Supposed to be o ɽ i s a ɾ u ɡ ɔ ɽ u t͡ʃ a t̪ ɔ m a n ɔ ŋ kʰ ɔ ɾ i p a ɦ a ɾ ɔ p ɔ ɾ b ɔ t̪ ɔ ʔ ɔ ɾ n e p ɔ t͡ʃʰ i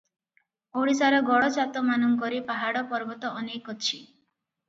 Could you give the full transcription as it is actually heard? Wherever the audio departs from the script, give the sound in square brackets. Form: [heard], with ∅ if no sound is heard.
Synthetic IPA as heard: o ɽ i s a ɾ [ɔ] ɡ ɔ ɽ [ɔ] t͡ʃ a t̪ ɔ m a n ɔ ŋ [k] ɔ ɾ i p a ɦ a [ɽ] ɔ p ɔ ɾ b ɔ t̪ ɔ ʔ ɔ [∅] n e [k] ɔ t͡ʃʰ i